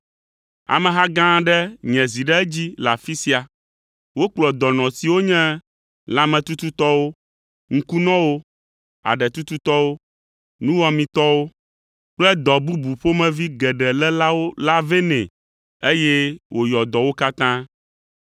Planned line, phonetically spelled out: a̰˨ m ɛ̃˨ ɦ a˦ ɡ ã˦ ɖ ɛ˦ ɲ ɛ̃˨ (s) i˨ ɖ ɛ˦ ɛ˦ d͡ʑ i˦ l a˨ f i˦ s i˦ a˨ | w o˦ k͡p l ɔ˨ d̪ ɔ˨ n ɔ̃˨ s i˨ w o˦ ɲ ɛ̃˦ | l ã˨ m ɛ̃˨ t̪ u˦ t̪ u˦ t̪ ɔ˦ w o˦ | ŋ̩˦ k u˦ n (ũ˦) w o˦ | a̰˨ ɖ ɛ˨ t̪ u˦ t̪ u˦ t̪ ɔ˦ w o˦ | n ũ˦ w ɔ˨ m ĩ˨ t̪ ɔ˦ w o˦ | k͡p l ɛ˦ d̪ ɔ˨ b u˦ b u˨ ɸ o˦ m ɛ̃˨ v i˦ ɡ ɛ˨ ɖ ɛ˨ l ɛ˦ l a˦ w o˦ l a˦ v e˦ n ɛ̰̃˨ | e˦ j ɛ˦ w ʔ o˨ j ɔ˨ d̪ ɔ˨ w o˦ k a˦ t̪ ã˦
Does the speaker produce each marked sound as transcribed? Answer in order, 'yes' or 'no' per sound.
no, no

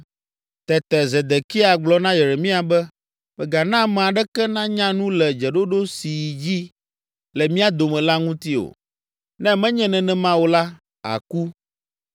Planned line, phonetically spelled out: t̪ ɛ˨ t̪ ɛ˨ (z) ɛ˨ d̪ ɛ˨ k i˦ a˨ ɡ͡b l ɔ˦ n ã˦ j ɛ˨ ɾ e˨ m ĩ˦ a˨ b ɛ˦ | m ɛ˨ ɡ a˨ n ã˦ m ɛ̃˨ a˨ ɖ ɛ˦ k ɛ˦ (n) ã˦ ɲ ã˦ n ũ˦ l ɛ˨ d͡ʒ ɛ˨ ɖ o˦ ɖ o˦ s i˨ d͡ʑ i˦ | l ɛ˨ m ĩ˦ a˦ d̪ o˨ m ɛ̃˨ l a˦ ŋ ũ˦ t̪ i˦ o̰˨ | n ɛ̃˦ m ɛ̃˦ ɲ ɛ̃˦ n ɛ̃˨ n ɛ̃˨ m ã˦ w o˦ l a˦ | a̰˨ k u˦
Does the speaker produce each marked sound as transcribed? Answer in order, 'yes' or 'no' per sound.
yes, yes

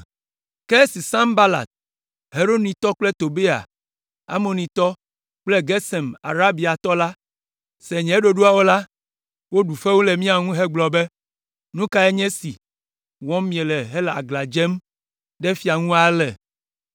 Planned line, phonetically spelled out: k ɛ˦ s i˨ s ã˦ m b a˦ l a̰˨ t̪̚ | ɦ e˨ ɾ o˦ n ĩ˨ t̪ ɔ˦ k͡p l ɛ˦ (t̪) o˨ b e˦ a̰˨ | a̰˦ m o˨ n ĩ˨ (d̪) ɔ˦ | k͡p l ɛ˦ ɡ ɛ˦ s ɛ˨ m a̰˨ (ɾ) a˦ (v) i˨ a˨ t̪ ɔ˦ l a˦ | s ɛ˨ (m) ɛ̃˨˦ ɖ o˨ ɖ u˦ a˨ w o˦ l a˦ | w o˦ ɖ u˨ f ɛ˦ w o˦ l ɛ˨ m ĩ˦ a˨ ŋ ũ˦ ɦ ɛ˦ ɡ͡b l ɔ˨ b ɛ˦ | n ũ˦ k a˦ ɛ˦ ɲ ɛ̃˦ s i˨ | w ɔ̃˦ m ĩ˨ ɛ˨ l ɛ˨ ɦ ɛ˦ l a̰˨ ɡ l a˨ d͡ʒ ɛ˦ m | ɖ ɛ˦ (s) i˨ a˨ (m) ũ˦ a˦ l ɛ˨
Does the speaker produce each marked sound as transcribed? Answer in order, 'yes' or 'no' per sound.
yes, no, yes, no, no, no, no

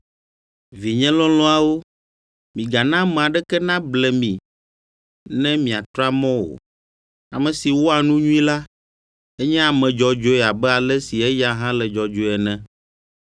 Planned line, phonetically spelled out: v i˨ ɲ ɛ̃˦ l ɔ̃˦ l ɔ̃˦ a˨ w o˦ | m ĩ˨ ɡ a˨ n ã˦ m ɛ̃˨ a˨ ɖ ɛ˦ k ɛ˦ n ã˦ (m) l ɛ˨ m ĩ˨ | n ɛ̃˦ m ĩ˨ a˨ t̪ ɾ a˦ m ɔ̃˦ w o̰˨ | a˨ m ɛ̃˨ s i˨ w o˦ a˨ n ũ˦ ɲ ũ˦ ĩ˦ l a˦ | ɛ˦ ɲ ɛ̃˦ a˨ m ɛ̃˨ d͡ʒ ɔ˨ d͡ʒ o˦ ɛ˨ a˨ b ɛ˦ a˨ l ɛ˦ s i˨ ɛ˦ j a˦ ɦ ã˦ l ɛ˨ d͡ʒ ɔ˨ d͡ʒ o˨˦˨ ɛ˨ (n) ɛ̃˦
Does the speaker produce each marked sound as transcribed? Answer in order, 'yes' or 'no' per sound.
no, yes

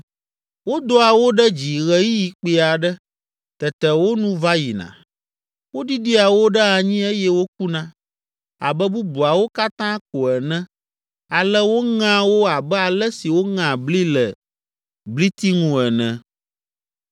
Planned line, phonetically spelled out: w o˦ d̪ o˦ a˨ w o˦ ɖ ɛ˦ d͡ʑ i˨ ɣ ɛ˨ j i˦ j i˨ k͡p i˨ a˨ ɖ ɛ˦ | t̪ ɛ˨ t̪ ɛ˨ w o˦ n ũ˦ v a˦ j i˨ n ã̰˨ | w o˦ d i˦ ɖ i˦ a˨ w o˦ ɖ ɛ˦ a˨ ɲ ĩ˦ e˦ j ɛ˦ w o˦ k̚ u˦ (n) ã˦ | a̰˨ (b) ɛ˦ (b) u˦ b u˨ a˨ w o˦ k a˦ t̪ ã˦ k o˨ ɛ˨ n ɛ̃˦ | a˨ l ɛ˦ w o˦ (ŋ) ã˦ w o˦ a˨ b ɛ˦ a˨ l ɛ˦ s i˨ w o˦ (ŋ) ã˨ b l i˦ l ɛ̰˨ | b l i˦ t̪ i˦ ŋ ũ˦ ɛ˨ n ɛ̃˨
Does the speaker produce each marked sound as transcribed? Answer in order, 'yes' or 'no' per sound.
yes, yes, yes, yes, yes

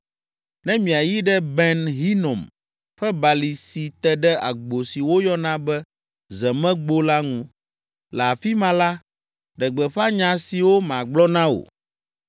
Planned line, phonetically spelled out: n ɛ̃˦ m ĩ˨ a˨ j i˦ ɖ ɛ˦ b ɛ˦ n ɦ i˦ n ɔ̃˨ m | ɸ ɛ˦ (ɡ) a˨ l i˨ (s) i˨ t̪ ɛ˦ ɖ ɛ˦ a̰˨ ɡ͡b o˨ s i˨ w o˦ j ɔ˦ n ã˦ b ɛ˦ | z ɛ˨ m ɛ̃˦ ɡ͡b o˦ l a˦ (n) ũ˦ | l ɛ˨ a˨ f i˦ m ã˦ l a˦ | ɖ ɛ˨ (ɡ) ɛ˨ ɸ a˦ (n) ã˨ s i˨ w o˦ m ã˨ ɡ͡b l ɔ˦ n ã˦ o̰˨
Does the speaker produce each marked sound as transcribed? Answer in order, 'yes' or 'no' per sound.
no, yes, no, no, no

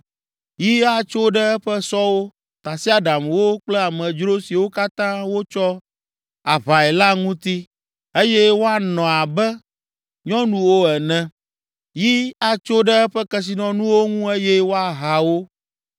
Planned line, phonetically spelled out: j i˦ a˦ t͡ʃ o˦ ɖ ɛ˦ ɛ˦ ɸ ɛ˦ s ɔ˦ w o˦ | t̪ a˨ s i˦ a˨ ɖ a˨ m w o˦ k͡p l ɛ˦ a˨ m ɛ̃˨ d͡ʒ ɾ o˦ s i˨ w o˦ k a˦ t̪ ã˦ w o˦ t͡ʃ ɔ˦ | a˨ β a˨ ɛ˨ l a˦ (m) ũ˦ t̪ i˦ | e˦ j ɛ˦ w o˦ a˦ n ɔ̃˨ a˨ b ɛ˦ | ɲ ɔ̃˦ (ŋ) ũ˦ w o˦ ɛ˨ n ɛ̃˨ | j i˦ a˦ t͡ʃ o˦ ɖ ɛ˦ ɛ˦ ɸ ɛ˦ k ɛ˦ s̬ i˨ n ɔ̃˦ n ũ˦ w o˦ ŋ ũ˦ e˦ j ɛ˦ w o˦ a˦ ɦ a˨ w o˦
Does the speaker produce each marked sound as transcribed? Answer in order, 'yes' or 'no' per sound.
no, no

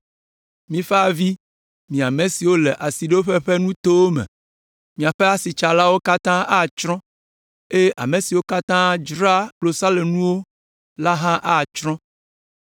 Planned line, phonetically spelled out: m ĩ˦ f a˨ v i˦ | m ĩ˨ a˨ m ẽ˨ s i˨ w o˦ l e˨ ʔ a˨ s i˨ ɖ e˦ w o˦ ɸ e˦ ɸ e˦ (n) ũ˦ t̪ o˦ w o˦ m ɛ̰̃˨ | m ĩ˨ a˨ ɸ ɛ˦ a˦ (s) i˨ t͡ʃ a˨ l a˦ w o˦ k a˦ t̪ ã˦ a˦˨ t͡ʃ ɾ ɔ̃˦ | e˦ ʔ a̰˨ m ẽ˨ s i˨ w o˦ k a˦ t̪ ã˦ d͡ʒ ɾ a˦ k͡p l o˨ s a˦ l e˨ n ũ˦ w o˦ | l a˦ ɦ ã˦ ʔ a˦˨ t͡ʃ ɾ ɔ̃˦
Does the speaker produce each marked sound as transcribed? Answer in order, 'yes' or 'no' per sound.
yes, yes

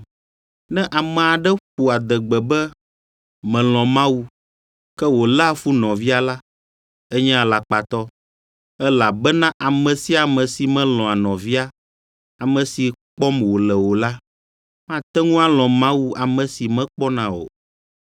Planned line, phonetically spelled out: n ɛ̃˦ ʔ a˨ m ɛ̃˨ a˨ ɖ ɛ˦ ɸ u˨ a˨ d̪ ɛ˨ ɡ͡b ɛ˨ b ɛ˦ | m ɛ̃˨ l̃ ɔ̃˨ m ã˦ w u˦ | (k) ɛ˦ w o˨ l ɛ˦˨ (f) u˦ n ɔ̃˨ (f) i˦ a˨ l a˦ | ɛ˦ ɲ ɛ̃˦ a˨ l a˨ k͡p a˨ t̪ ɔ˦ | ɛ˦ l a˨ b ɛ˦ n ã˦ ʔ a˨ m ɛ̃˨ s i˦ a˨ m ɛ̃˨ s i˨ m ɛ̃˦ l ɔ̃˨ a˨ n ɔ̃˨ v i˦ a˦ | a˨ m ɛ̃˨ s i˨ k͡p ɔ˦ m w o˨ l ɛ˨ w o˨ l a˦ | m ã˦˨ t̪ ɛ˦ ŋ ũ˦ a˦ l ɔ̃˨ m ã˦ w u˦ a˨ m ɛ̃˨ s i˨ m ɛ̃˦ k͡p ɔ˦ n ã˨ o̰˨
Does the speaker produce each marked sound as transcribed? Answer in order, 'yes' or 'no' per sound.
yes, yes, no

